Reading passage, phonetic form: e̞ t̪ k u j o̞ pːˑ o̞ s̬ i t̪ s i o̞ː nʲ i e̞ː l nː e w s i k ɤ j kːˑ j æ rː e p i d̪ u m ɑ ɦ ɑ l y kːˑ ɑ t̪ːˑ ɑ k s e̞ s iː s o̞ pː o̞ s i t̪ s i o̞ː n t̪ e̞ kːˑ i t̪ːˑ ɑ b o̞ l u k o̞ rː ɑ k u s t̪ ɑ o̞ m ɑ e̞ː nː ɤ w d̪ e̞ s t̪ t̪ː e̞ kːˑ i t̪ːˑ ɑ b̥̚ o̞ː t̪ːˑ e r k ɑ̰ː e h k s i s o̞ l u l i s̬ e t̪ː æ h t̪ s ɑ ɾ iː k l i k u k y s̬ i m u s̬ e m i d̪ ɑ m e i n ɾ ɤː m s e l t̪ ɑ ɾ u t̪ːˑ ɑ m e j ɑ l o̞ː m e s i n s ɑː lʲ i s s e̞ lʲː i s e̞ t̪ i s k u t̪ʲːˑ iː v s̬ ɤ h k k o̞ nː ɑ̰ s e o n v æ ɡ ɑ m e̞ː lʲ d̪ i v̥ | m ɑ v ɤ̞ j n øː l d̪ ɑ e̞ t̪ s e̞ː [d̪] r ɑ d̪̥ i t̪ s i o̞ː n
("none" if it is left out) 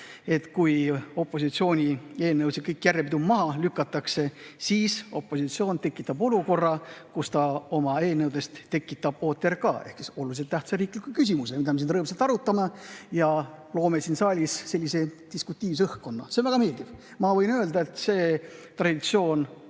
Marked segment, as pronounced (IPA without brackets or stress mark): t̪